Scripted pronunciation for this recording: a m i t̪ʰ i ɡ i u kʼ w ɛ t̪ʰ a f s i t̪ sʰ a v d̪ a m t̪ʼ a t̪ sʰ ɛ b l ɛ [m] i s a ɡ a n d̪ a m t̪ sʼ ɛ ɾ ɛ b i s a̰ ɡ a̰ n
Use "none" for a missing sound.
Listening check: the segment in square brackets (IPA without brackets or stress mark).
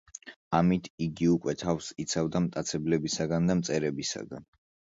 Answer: b